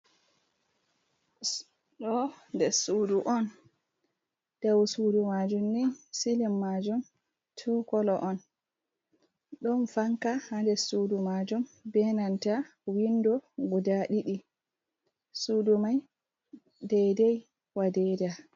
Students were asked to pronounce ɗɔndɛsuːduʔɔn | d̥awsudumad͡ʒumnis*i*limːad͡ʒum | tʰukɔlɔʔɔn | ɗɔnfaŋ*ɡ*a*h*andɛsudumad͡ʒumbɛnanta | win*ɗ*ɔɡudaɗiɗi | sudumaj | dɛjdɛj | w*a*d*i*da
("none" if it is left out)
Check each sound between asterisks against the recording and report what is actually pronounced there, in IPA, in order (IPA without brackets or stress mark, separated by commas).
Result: i, k, h, d, a, ɛ